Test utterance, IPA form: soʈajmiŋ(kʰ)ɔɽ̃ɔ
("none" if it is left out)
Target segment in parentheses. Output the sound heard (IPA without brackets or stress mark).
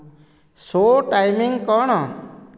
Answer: k